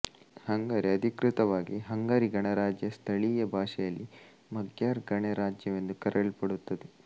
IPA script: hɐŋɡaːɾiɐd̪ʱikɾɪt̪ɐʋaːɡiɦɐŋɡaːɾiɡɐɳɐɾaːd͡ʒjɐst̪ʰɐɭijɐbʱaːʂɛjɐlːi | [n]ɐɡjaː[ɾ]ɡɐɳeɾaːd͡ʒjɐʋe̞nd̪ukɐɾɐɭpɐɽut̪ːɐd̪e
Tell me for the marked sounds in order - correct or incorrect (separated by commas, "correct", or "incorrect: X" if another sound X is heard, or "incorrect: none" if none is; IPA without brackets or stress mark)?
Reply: incorrect: m, correct